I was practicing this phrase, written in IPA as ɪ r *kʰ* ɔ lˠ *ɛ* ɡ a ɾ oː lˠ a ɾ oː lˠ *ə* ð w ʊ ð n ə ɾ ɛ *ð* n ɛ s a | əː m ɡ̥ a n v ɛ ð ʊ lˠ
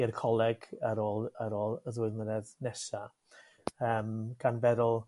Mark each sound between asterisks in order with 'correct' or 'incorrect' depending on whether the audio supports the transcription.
correct, correct, correct, correct

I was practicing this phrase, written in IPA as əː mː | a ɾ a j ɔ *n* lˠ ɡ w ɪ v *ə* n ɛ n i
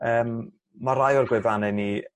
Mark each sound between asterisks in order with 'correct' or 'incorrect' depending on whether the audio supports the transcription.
incorrect, incorrect

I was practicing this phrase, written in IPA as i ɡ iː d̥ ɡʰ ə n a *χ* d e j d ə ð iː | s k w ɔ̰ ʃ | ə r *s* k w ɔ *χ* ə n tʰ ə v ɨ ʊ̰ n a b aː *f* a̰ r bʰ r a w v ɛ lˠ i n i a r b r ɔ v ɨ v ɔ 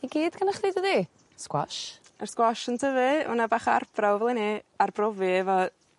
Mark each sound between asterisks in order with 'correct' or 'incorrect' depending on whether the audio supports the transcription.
correct, correct, incorrect, incorrect

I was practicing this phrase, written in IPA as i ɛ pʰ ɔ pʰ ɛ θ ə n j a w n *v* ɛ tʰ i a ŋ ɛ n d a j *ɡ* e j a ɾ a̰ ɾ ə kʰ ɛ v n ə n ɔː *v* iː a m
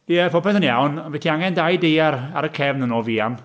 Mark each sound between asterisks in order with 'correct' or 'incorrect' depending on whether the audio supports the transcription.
correct, incorrect, correct

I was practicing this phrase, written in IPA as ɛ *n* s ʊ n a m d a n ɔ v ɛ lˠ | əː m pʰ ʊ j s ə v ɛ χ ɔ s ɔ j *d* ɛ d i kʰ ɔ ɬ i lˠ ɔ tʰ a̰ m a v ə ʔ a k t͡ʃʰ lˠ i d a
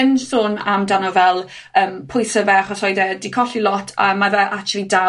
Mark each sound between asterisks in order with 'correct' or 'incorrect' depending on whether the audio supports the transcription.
correct, correct

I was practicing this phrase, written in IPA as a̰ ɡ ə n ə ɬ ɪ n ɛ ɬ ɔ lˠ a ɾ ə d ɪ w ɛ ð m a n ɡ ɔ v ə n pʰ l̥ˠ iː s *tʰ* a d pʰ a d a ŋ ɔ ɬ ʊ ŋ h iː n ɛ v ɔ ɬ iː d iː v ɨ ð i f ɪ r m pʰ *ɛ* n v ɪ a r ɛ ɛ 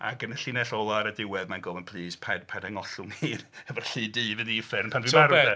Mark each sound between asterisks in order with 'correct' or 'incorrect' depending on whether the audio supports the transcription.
incorrect, incorrect

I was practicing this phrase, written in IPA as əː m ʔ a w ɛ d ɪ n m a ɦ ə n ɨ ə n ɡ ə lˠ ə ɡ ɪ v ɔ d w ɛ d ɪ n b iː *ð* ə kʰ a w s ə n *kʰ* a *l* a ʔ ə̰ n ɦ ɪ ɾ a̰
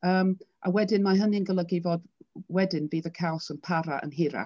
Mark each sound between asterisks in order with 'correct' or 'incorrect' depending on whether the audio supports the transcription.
correct, incorrect, incorrect

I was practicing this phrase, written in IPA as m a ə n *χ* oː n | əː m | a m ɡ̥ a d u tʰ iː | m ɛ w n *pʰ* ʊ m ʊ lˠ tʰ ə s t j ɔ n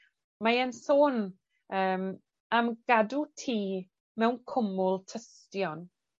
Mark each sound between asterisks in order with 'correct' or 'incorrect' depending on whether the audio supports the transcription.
incorrect, incorrect

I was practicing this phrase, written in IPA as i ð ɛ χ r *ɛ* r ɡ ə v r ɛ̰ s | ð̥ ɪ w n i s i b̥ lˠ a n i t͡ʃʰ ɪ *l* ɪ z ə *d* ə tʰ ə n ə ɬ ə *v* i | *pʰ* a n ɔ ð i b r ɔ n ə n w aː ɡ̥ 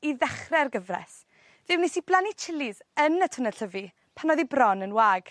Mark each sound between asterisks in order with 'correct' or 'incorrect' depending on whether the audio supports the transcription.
correct, correct, incorrect, correct, correct

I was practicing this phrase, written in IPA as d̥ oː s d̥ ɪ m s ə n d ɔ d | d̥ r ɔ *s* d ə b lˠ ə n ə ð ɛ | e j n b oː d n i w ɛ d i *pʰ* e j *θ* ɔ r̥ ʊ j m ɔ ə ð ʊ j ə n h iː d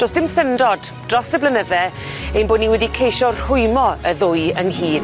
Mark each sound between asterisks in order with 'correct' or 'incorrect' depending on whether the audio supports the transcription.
correct, incorrect, incorrect

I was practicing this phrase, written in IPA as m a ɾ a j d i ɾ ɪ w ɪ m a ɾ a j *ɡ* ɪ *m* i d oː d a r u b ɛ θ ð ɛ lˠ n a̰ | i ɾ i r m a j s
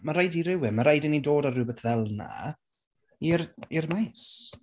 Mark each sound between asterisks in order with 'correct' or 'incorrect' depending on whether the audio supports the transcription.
incorrect, incorrect

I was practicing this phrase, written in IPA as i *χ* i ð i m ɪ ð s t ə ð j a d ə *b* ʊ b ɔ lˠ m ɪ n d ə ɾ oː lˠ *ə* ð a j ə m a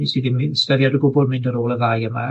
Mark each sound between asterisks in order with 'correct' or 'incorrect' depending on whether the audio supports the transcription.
incorrect, incorrect, correct

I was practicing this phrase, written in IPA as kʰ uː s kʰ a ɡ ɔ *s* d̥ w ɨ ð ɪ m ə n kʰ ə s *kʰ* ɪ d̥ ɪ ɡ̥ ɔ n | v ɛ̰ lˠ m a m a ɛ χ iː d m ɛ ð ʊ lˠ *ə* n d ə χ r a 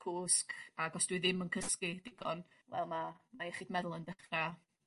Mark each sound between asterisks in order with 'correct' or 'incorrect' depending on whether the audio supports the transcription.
correct, incorrect, correct

